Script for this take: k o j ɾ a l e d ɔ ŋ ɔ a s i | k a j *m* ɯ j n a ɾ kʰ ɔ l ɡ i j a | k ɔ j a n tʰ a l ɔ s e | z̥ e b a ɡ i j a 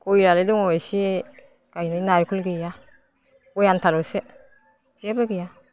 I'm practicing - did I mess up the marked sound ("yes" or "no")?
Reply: yes